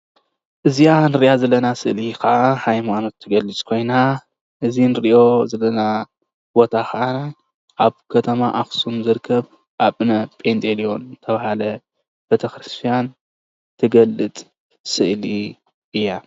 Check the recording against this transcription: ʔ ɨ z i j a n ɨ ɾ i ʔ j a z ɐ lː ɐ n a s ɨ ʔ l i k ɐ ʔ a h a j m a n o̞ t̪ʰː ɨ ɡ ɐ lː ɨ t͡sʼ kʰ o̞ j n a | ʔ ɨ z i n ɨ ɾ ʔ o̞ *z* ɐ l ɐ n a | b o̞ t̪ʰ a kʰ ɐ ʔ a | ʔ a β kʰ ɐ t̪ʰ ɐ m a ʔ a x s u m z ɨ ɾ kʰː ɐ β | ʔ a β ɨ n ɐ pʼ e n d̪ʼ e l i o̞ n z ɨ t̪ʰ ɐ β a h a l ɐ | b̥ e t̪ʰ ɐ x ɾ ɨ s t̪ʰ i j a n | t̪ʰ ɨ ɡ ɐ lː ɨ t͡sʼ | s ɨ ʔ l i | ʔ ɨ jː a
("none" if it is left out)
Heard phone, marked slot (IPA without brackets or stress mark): z